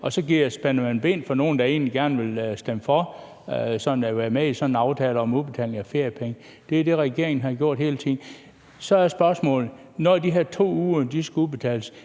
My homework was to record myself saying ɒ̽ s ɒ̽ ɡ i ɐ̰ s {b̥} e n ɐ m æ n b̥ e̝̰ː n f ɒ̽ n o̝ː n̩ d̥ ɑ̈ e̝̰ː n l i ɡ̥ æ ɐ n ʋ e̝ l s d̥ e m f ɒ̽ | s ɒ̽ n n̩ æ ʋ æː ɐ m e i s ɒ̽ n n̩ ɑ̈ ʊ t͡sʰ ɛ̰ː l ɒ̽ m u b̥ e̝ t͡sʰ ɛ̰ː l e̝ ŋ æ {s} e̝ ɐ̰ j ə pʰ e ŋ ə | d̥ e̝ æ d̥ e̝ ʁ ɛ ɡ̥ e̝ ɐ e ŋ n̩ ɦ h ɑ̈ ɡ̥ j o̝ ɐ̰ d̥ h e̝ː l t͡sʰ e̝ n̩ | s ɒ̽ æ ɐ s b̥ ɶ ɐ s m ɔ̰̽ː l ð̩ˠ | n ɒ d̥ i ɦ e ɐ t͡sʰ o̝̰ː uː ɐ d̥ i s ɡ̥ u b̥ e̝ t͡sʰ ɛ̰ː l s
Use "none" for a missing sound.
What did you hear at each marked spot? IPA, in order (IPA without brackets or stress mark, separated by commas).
b̥, f